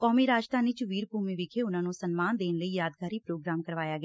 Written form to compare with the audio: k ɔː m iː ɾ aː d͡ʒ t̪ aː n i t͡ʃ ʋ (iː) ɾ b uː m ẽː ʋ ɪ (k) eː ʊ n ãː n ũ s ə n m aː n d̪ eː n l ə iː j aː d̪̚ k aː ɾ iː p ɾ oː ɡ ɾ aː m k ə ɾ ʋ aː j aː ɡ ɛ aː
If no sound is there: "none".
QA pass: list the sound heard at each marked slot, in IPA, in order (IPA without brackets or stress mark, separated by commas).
iː, kʰ